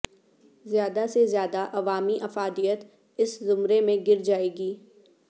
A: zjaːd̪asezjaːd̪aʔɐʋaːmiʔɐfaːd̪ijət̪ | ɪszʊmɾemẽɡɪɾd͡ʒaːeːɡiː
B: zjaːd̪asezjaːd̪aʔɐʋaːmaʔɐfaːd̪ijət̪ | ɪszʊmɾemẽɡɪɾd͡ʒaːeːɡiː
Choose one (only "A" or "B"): A